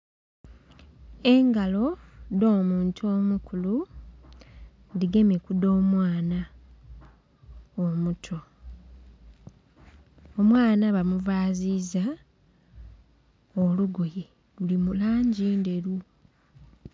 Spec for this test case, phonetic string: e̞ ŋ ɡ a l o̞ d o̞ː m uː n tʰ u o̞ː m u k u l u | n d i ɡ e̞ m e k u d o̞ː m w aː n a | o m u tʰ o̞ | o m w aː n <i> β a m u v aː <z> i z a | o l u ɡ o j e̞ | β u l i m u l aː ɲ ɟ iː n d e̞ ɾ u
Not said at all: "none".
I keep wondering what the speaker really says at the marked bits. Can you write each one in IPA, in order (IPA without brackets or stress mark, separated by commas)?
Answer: a, z